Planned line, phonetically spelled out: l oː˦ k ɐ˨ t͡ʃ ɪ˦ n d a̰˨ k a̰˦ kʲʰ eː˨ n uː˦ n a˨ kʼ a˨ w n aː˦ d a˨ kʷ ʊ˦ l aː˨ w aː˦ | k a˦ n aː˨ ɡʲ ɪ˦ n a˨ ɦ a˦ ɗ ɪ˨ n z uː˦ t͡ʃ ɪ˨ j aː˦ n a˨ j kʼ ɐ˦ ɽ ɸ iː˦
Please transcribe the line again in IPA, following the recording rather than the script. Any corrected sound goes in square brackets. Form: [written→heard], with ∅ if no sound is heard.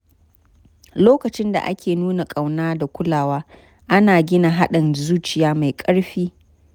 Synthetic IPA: l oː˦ k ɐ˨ t͡ʃ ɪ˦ n d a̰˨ [k→ʔ] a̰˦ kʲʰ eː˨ n uː˦ n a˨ kʼ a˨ w n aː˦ d a˨ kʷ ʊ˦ l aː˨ w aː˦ | [k→ʔ] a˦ n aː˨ ɡʲ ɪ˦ n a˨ ɦ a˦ ɗ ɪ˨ n z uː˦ t͡ʃ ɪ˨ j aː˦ [n→m] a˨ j kʼ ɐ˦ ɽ ɸ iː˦